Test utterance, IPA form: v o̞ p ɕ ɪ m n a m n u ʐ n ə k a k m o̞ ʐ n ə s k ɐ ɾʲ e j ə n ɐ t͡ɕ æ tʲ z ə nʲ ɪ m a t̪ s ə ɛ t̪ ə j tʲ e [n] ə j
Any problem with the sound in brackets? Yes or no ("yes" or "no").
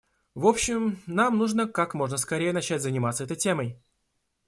yes